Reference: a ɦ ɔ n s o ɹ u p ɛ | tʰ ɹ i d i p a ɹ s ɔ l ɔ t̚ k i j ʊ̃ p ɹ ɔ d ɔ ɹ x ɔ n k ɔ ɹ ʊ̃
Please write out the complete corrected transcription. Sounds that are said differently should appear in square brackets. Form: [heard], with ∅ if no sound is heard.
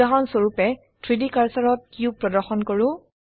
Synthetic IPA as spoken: a ɦ ɔ n s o ɹ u p ɛ | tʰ ɹ i d i [k] a ɹ s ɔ [ɹ] ɔ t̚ k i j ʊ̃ p ɹ ɔ d ɔ ɹ x ɔ n k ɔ ɹ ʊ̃

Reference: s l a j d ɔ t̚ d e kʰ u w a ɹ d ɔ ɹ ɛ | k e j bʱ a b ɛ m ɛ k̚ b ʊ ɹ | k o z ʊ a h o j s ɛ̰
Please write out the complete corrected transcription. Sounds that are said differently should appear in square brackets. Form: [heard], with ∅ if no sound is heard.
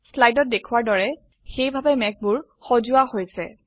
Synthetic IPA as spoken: s l a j d ɔ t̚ d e kʰ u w a ɹ d ɔ ɹ ɛ | [x] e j bʱ a b ɛ m ɛ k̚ b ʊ ɹ | [x] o z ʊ a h o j s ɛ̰

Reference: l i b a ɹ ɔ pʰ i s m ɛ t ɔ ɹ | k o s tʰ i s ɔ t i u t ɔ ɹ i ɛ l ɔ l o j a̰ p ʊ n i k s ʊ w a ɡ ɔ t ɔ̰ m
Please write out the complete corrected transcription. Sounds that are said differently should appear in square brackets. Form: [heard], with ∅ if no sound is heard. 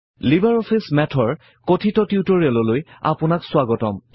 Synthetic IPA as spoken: l i b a ɹ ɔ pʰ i s m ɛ [tʰ] ɔ ɹ | k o [∅] tʰ i [t] ɔ t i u t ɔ ɹ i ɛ l ɔ l o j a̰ p ʊ n [a] k s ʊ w a ɡ ɔ t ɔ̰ m

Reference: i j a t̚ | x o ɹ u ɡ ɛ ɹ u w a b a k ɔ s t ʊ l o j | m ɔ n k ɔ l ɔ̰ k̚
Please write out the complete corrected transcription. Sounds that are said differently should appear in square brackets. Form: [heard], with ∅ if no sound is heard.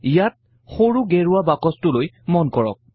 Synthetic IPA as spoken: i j a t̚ | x o ɹ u ɡ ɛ ɹ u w a b a k ɔ s t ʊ l o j | m ɔ n k ɔ [ɹ] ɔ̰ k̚

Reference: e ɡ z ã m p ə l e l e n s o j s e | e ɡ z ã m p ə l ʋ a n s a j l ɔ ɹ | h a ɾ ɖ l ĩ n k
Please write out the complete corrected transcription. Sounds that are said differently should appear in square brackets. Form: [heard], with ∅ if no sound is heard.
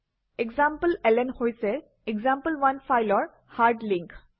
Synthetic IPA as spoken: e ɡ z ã m p ə l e l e n [h] o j s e | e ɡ z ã m p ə l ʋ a n [f] a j l ɔ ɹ | h a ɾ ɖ l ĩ [ŋ] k

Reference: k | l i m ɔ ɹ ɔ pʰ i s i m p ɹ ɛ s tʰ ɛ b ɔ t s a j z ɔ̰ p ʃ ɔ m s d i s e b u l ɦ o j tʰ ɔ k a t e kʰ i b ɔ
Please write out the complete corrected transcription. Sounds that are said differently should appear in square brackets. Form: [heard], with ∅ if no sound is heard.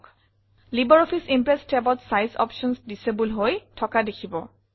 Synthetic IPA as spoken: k | l i [b] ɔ ɹ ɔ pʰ i s i m p ɹ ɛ s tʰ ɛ b ɔ t s a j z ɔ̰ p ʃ ɔ [n] s d i s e b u l ɦ o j tʰ ɔ k a [d] e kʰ i b ɔ

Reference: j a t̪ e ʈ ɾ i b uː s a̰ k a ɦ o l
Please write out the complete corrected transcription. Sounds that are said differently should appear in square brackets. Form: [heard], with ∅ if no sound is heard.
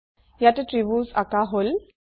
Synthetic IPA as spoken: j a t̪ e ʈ ɾ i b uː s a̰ k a ɦ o l

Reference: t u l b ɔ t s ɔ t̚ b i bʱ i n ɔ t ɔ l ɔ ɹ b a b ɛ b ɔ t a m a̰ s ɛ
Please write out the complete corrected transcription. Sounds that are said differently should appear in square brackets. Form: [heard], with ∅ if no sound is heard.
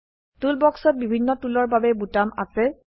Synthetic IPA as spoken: t u l b ɔ [k] s ɔ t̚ b i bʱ i [nː] ɔ t [u] l ɔ ɹ b a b ɛ b [u] t a m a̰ s ɛ

